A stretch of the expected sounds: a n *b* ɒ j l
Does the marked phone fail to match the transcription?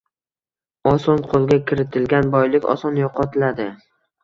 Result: no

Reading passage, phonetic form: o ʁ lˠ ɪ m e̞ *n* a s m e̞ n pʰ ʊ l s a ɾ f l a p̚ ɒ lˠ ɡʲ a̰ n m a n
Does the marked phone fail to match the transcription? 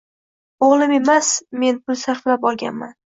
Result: yes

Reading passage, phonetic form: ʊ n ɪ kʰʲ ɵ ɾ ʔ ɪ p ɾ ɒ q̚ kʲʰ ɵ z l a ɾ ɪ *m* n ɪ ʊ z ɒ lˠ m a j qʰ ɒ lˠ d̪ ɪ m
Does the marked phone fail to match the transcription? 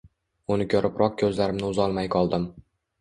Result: no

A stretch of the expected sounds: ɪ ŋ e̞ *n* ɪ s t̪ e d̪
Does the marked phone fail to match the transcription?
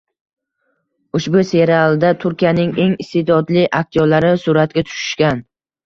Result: yes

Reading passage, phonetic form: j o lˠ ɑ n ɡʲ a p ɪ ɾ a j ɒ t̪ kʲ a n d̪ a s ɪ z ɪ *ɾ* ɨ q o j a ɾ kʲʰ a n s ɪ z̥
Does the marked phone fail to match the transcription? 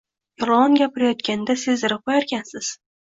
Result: no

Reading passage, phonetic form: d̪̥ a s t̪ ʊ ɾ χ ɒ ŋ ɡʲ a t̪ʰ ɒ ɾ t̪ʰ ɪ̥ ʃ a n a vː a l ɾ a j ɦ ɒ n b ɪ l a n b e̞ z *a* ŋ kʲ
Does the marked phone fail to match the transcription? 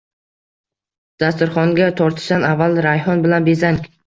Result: no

